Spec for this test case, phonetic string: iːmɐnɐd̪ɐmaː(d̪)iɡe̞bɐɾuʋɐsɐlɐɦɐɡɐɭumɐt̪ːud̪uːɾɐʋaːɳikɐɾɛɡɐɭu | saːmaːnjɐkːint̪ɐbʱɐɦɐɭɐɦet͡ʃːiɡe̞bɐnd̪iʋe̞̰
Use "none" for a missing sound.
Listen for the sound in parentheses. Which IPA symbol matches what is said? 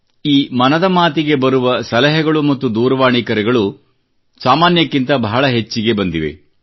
t̪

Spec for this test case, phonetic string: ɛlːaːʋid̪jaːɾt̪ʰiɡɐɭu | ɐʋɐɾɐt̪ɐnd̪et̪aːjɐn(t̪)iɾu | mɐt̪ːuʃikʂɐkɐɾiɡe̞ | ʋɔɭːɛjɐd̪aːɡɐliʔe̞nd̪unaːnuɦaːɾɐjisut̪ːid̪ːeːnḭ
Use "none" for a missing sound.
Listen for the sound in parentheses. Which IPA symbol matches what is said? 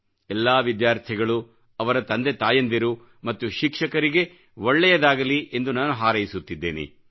d̪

